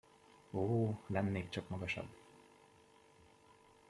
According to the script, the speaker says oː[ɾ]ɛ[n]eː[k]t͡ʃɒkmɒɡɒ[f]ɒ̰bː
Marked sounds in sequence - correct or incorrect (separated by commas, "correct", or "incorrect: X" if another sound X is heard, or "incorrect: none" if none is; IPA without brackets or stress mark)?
incorrect: l, incorrect: nː, correct, incorrect: ʃ